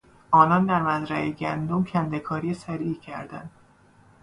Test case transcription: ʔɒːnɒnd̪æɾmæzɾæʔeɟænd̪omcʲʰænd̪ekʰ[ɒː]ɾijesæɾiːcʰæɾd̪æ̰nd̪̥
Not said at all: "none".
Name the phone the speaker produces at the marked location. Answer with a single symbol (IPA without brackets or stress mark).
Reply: ɒː